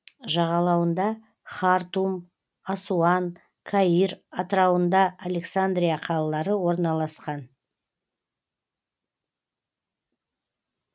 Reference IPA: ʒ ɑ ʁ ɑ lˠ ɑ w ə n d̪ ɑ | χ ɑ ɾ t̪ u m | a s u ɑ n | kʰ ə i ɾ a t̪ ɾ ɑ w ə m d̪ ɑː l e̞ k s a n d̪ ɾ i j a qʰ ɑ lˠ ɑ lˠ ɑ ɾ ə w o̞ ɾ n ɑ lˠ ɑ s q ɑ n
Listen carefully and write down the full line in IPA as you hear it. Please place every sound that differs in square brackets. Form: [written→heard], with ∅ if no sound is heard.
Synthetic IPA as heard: ʒ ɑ ʁ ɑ lˠ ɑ w ə n d̪ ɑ | χ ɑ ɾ t̪ u m | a s u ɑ n | kʰ [ə→a] i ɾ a t̪ ɾ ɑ w ə [m→n] d̪ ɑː l e̞ k s a n d̪ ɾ i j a qʰ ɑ lˠ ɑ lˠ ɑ ɾ ə w o̞ ɾ n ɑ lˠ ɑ s q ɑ n